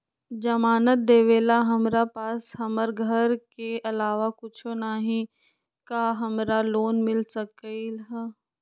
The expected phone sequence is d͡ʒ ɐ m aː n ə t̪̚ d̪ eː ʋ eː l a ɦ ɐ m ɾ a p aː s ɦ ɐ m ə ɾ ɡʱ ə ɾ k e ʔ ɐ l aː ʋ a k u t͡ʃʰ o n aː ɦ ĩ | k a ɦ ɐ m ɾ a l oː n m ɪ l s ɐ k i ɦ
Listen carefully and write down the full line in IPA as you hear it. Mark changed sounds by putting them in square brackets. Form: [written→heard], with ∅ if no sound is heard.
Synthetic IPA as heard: d͡ʒ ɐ m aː n ə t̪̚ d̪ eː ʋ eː l a ɦ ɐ m ɾ a p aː s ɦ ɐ m ə ɾ ɡʱ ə ɾ k e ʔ ɐ l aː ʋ a k [u→ʊ] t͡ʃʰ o n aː ɦ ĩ | k a ɦ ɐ m ɾ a l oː n m ɪ l s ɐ k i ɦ

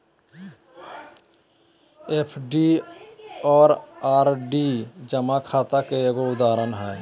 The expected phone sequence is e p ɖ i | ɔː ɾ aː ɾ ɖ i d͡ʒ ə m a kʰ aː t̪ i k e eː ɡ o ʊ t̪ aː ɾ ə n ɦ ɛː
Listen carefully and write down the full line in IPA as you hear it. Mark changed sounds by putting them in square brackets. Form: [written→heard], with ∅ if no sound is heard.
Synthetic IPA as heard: e [p→pʰ] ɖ i | ɔː ɾ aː ɾ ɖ i d͡ʒ ə m a kʰ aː t̪ [i→a] k e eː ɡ o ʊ [t̪→d̪] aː ɾ ə n ɦ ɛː

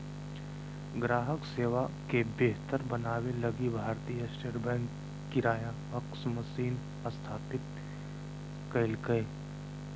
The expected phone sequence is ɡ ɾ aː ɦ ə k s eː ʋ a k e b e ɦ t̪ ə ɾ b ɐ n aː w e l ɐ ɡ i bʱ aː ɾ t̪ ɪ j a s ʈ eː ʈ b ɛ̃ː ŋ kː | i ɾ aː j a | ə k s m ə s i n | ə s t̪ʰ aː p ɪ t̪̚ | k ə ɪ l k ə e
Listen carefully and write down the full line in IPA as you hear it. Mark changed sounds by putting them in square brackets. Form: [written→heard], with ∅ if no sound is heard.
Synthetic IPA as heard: ɡ ɾ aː ɦ ə k s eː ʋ a k e b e ɦ t̪ ə ɾ b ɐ n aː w e l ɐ ɡ i bʱ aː ɾ t̪ [ɪ→i] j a s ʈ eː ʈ b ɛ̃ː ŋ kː | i ɾ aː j a | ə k s m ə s [i→iː] n | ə s t̪ʰ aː p ɪ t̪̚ | k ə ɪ l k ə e

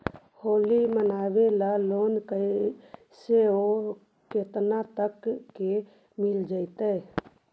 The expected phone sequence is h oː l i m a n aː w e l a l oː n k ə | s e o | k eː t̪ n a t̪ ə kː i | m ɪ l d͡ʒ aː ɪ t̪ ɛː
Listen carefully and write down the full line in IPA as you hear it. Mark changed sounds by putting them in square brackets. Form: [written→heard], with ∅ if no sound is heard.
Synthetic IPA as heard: h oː l i m [a→ə] n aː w e l a l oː n k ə | s e o | k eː t̪ n a t̪ ə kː [i→e] | m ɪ l d͡ʒ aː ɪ t̪ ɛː

